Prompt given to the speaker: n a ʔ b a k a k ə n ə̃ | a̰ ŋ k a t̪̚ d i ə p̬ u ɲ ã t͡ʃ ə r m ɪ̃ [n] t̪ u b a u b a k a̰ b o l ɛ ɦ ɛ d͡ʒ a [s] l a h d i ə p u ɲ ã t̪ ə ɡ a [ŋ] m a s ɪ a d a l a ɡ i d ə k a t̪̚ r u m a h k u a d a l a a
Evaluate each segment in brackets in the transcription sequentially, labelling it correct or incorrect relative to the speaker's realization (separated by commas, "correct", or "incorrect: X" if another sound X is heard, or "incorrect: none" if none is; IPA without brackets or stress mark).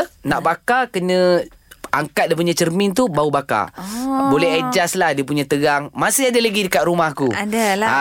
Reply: correct, correct, correct